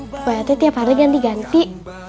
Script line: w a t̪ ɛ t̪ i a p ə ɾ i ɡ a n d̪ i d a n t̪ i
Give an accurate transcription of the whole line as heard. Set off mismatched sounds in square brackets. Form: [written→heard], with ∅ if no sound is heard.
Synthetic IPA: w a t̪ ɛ t̪ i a p [ə→a] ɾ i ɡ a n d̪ i [d→ɡ] a n t̪ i